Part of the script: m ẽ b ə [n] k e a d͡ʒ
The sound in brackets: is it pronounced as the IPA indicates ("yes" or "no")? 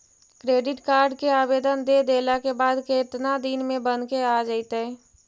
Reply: yes